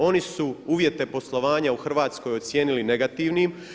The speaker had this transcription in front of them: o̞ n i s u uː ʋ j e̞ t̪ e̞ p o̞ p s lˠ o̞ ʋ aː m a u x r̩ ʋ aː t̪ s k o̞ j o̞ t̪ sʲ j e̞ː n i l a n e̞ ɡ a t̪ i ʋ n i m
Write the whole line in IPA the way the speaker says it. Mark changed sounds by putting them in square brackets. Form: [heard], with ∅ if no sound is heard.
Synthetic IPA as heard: o̞ n i s u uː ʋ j e̞ t̪ e̞ p o̞ [∅] s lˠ o̞ ʋ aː [ɲ] a u x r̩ ʋ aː t̪ s k o̞ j o̞ t̪ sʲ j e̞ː n i l [i] n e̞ ɡ a t̪ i ʋ n i m